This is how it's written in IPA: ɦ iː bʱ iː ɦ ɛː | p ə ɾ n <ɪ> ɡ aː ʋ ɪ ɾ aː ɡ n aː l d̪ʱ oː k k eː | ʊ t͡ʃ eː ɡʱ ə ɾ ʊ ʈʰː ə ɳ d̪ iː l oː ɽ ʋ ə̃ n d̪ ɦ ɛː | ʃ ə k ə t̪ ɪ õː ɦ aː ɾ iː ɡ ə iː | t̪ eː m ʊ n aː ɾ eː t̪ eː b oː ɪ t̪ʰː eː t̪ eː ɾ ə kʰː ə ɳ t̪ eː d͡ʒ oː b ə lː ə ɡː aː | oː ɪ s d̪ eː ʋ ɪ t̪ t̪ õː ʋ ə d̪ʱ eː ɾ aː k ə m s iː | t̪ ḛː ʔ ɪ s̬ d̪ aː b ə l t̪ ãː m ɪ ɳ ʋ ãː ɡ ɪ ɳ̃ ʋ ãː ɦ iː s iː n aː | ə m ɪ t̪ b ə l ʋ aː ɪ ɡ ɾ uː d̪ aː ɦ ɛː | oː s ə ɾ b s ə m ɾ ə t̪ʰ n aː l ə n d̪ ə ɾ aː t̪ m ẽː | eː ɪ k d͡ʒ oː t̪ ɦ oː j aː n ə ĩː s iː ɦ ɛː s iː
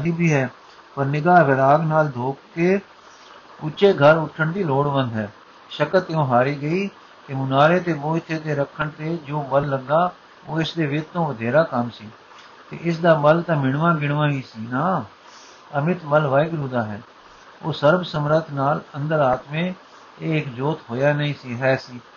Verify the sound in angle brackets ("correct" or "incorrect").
correct